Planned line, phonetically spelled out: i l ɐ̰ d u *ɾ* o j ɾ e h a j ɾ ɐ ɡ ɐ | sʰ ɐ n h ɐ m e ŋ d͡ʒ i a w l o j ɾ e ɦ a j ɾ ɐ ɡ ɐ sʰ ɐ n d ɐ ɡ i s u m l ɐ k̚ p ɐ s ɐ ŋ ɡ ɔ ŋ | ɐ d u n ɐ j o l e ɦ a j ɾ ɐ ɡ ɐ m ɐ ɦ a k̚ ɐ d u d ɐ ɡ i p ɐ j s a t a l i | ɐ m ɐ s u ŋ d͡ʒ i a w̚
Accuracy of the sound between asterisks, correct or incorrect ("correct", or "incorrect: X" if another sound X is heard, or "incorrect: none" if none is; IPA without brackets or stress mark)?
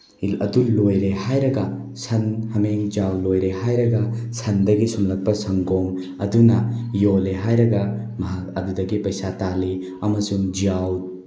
incorrect: l